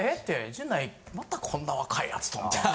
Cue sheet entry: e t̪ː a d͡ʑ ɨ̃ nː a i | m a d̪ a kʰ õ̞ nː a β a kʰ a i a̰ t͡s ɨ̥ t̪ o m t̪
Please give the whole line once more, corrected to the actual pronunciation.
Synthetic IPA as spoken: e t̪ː e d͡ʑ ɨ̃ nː a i | m a t̪ a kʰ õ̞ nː a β a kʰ a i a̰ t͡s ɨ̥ t̪ o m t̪

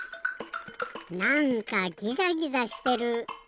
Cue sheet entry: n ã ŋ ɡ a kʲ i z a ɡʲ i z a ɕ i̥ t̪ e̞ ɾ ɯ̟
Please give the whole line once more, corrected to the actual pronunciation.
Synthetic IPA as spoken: n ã ŋ k a ɡʲ i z a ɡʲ i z a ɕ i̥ t̪ e̞ ɾ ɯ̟

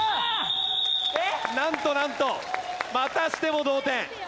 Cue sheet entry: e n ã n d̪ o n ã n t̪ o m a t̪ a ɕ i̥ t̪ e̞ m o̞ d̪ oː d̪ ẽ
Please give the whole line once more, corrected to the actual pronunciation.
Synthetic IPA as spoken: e n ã n t̪ o n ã n t̪ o m a t̪ a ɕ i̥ t̪ e̞ m o̞ d̪ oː t̪ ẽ

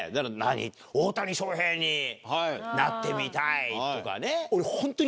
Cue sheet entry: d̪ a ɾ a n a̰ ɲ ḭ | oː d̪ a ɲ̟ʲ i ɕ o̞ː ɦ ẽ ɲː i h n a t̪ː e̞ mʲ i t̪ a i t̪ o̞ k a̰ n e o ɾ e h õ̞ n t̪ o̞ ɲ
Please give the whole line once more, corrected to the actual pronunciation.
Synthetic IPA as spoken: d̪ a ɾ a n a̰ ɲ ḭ | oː t̪ a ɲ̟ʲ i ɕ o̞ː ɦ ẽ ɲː i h n a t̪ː e̞ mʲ i t̪ a i t̪ o̞ k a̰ n e o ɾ e h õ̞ n t̪ o̞ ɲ

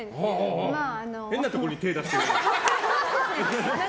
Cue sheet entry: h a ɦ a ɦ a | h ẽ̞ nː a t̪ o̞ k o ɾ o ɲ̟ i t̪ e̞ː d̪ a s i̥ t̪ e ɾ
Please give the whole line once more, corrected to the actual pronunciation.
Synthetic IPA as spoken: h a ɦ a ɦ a | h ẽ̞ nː a t̪ o̞ k o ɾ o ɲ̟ i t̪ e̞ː d̪ a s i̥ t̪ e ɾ

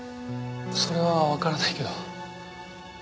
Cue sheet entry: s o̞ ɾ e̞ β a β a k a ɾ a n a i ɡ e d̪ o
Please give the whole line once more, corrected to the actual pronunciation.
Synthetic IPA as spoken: s o̞ ɾ e̞ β a β a k a ɾ a n a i k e d̪ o

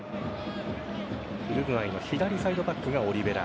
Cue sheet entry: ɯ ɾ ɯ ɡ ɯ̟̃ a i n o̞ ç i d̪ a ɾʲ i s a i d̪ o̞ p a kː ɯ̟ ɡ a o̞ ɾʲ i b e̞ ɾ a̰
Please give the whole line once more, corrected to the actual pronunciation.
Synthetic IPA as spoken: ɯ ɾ ɯ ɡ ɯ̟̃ a i n o̞ ç i d̪ a ɾʲ i s a i d̪ o̞ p a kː ɯ̟ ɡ a o̞ ɾʲ i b e̞ ɾ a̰

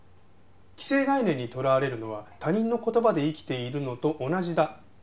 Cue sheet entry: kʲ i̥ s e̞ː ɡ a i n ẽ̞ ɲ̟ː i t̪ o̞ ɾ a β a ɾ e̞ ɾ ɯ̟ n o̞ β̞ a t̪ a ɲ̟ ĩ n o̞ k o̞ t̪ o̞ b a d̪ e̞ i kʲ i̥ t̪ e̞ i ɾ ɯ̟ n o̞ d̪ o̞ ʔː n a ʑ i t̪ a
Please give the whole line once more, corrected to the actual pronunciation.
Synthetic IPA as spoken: kʲ i̥ s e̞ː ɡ a i n ẽ̞ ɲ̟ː i t̪ o̞ ɾ a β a ɾ e̞ ɾ ɯ̟ n o̞ β̞ a t̪ a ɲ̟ ĩ nː o̞ k o̞ t̪ o̞ b a d̪ e̞ i kʲ i̥ t̪ e̞ i ɾ ɯ̟ n o̞ t̪ o̞ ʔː n a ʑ i d̪ a

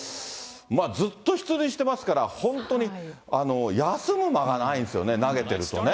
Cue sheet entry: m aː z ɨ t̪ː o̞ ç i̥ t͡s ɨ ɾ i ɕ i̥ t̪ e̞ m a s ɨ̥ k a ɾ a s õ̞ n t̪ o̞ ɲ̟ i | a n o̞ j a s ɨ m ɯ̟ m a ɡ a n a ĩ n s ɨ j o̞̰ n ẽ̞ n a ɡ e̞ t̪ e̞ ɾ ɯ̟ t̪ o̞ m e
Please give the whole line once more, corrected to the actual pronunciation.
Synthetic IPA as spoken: m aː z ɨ t̪ː o̞ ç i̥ t͡s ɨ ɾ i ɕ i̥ t̪ e̞ m a s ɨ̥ k a ɾ a h õ̞ n t̪ o̞ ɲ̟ i | a n o̞ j a s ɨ m ɯ̟ m a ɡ a n a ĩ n s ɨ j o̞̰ n e̞ n a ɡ e̞ t̪ e̞ ɾ ɯ̟ t̪ o̞ n e

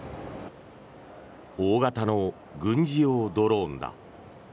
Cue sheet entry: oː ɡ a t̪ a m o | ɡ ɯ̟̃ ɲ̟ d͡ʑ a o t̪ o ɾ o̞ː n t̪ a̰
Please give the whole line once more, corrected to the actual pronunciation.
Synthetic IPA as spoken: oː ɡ a t̪ a n o | ɡ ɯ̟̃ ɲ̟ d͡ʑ i o d̪ o ɾ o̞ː n d̪ a̰

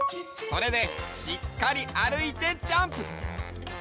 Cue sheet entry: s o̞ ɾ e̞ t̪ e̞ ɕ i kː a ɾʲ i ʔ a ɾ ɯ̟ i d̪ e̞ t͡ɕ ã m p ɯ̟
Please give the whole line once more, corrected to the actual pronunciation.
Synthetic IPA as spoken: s o̞ ɾ e̞ d̪ e̞ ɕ i kː a ɾʲ i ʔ a ɾ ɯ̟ i t̪ e̞ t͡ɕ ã m p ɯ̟

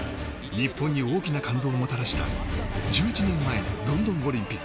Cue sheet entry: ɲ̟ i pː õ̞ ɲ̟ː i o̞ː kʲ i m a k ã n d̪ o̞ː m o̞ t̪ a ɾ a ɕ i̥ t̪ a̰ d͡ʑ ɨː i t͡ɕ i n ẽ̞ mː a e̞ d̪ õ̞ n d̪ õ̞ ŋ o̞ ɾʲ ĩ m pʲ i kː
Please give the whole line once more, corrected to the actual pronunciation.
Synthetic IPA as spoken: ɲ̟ i pː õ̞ ɲ̟ː i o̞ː kʲ i n a k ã n d̪ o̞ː m o̞ t̪ a ɾ a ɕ i̥ t̪ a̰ d͡ʑ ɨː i t͡ɕ i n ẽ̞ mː a e̞ d̪ õ̞ n d̪ õ̞ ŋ o̞ ɾʲ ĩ m pʲ i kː

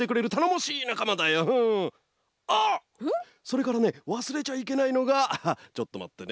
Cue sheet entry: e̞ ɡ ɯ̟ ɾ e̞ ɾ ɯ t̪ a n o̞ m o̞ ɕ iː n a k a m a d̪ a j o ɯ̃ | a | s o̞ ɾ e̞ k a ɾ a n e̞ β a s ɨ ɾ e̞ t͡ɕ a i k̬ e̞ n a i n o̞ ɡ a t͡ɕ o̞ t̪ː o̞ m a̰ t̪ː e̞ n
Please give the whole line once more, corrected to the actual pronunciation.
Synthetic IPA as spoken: e̞ k ɯ̟ ɾ e̞ ɾ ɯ t̪ a n o̞ m o̞ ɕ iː n a k a m a d̪ a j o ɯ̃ | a | s o̞ ɾ e̞ k a ɾ a n e̞ β a s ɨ ɾ e̞ t͡ɕ a i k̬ e̞ n a i n o̞ ɡ a t͡ɕ o̞ t̪ː o̞ m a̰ t̪ː e̞ n

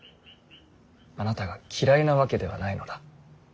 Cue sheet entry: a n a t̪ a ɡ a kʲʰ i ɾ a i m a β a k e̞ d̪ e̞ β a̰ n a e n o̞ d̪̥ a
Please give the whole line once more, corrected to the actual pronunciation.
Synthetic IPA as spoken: a n a t̪ a ɡ a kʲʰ i ɾ a i n a β a k e̞ d̪ e̞ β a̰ n a i n o̞ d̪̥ a

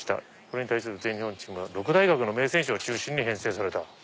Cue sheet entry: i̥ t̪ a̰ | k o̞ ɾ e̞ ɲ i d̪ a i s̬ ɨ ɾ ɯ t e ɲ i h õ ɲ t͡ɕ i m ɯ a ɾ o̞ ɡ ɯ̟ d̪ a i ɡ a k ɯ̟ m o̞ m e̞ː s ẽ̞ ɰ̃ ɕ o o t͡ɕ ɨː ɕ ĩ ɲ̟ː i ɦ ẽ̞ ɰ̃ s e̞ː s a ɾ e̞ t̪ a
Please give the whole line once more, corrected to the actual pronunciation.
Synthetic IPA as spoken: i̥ t̪ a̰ | k o̞ ɾ e̞ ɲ i t̪ a i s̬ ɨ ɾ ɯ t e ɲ i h õ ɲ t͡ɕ i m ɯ a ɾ o̞ k ɯ̟ d̪ a i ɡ a k ɯ̟ n o̞ m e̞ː s ẽ̞ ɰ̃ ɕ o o t͡ɕ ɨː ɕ ĩ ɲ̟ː i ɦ ẽ̞ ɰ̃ s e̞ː s a ɾ e̞ t̪ a

